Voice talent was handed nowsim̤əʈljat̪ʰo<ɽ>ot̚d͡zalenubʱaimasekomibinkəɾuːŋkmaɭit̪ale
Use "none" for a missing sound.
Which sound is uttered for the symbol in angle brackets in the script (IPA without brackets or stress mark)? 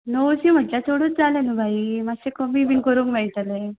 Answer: ɽ